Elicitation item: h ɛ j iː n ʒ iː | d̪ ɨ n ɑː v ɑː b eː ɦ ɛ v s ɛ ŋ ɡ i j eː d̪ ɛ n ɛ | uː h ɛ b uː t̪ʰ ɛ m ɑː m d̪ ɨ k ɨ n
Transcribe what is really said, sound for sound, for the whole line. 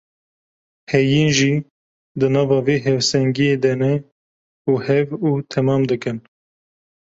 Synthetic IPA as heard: h ɛ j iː n ʒ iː | d̪ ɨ n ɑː v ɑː v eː ɦ ɛ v s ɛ ŋ ɡ i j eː d̪ ɛ n ɛ | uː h ɛ v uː t̪ʰ ɛ m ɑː m d̪ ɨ k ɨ n